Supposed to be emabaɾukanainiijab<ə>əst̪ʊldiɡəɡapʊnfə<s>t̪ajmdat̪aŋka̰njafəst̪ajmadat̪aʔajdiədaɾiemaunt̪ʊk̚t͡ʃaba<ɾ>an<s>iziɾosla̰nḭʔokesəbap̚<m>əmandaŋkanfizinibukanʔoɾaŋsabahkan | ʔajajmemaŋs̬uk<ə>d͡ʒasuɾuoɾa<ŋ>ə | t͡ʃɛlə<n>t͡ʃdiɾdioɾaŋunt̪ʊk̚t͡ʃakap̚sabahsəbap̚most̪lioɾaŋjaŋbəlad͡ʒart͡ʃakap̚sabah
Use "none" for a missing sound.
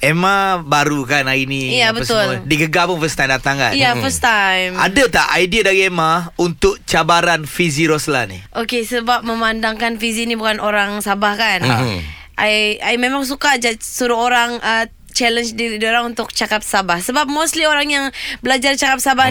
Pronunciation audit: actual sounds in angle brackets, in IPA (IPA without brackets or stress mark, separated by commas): ə, s, ɾ, f, m, a, ŋ, n